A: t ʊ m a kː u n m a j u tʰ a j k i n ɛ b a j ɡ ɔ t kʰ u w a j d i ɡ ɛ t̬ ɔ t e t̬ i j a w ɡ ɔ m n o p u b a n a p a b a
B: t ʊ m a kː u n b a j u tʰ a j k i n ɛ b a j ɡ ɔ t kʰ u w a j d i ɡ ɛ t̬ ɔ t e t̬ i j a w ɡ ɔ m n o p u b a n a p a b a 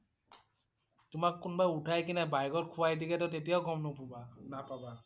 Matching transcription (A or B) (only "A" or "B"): B